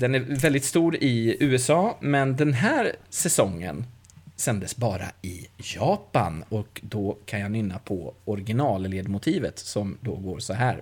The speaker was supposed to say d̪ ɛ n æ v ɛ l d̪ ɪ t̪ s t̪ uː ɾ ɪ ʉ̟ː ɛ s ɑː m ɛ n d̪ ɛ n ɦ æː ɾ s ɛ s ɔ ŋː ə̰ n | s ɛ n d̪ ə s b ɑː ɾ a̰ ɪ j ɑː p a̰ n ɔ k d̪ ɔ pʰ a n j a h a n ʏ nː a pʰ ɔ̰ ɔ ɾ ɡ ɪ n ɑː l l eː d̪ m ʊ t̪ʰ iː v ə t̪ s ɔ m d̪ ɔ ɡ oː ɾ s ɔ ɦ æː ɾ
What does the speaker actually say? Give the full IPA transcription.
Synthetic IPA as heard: d̪ ɛ n æ v ɛ l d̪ ɪ t̪ s t̪ uː ɾ ɪ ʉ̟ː ɛ s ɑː m ɛ n d̪ ɛ n ɦ æː ɾ s ɛ s ɔ ŋː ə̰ n | s ɛ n d̪ ə s b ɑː ɾ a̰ ɪ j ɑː p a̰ n ɔ k d̪ ɔ kʰ a n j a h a n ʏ nː a pʰ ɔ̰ ɔ ɾ ɡ ɪ n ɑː l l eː d̪ m ʊ t̪ʰ iː v ə t̪ s ɔ m d̪ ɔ ɡ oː ɾ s ɔ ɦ æː ɾ